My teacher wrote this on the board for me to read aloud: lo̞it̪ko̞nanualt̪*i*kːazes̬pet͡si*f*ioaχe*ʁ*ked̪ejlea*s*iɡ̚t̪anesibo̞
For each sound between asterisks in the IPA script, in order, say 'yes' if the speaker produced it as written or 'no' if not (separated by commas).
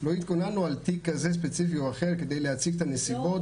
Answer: yes, yes, yes, no